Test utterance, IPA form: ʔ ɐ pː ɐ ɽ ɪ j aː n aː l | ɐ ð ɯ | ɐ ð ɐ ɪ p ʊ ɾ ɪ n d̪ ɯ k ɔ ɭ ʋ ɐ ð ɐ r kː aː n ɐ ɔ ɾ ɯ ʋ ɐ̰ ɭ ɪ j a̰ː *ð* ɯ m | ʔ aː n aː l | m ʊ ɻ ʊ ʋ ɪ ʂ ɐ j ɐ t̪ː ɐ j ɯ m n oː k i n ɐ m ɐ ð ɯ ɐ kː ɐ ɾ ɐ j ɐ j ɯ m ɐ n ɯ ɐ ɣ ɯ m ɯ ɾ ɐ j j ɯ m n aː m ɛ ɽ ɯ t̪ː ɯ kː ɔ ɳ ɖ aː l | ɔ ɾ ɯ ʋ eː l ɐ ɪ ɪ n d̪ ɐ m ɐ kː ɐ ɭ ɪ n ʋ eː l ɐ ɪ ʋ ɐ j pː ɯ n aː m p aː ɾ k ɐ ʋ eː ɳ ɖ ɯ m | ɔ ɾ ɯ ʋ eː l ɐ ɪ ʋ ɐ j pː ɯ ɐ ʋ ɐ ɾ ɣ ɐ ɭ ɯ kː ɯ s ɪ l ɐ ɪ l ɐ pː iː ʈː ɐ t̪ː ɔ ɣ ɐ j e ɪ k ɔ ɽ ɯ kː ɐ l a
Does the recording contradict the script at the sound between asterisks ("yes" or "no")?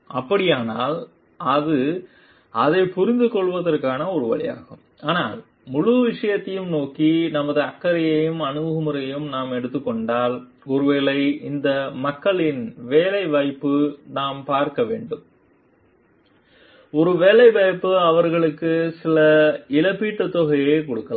yes